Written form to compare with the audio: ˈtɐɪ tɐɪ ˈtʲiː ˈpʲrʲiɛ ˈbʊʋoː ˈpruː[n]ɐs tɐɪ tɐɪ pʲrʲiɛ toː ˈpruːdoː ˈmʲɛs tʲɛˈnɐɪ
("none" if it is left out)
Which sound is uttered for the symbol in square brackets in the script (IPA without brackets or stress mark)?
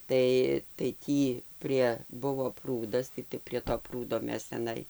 d